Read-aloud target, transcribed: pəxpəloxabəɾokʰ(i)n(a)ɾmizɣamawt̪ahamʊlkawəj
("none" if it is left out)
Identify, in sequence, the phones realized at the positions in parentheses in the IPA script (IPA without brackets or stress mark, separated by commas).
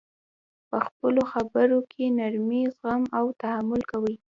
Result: e, a